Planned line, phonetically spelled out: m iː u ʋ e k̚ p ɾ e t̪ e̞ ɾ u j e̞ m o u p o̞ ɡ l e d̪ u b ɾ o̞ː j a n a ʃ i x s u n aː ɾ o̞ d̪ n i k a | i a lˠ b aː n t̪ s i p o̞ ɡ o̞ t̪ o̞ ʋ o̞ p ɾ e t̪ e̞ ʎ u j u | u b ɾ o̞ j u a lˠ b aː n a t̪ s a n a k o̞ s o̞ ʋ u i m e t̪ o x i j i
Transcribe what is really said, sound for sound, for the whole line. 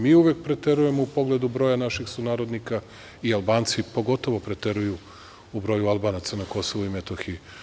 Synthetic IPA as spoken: m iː u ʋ e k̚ p ɾ e t̪ e̞ ɾ u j e̞ m o u p o̞ ɡ l e d̪ u b ɾ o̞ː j a n a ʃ i x s u n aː ɾ o̞ d̪ n i k a | i a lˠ b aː n t̪ s i p o̞ ɡ o̞ t̪ o̞ ʋ o̞ p ɾ e t̪ e̞ ɾ u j u | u b ɾ o̞ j u a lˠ b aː n a t̪ s a n a k o̞ s o̞ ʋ u i m e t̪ o x i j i